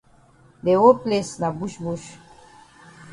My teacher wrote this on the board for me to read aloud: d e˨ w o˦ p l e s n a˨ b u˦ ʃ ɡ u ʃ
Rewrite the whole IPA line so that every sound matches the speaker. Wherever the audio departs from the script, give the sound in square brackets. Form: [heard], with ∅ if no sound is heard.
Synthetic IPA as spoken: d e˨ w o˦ p l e s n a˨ b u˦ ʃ [b] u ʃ